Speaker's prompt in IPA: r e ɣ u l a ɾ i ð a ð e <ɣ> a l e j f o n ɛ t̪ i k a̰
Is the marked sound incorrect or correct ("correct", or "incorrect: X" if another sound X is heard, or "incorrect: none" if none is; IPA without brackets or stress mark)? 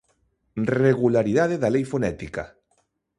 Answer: incorrect: ð